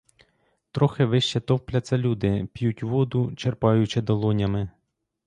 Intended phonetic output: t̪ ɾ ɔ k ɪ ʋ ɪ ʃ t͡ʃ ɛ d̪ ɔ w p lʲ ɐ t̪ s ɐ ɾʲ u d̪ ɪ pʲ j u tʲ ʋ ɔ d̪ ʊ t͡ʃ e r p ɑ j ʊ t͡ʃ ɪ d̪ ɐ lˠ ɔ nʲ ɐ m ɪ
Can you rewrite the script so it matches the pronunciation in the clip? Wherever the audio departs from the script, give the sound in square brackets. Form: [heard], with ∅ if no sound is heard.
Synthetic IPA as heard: t̪ ɾ ɔ [x] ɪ ʋ ɪ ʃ t͡ʃ ɛ [t̪] ɔ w p lʲ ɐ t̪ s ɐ [lʲ] u d̪ ɪ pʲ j u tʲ ʋ ɔ d̪ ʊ t͡ʃ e r p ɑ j ʊ t͡ʃ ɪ d̪ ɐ lˠ ɔ nʲ ɐ m ɪ